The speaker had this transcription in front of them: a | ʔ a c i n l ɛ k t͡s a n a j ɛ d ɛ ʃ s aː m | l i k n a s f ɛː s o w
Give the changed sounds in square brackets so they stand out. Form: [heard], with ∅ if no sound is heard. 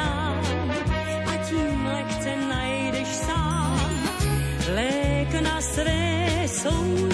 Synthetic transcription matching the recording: a | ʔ a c i [m] l ɛ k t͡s [ɛ] n a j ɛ d ɛ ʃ s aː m | l [ɛ] k n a s [v] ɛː s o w